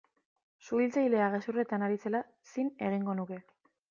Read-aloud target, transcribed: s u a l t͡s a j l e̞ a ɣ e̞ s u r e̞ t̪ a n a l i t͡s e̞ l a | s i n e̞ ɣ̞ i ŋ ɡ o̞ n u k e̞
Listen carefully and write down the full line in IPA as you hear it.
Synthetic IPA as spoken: s u i l t͡s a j l e̞ a ɣ e̞ s u r e̞ t̪ a n a ɾ i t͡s e̞ l a | s i n e̞ ɣ̞ i ŋ ɡ o̞ n u k e̞